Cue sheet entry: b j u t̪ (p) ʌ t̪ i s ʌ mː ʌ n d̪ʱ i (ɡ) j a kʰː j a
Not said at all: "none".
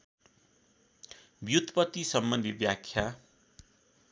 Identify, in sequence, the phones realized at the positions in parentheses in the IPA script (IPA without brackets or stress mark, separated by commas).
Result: p, b